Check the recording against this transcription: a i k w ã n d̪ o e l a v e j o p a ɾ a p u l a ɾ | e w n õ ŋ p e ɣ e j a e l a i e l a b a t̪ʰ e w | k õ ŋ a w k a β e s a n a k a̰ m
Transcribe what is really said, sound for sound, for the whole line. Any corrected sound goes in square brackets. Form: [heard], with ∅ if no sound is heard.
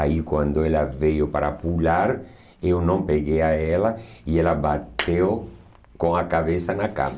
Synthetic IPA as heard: a i k w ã n d̪ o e l a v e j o p a ɾ a p u l a ɾ | e w n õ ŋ p e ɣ e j a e l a i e l a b a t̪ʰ e w | k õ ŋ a [∅] k a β e s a n a k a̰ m